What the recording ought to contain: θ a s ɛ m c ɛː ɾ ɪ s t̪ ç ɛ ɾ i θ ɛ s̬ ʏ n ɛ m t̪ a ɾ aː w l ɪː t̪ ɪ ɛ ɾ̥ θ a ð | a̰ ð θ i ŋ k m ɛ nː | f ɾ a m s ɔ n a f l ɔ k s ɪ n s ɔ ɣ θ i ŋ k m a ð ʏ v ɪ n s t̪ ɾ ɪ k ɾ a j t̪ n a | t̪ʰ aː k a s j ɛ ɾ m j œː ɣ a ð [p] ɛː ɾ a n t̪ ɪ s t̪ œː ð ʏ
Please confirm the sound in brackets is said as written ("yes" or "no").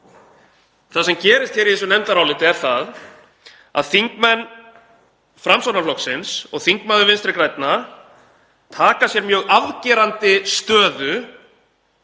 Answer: no